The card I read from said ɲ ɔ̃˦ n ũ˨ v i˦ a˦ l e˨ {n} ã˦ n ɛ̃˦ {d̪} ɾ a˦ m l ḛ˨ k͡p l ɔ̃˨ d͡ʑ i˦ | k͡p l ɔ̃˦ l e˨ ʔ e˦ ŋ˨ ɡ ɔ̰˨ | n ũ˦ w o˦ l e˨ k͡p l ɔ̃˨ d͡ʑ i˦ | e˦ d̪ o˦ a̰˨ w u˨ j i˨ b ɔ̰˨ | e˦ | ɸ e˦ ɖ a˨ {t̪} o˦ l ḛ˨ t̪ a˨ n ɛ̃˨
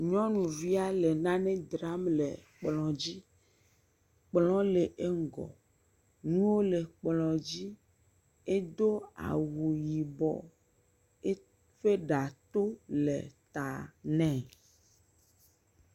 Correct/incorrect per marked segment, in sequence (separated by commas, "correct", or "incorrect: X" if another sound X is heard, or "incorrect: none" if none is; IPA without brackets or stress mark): correct, correct, correct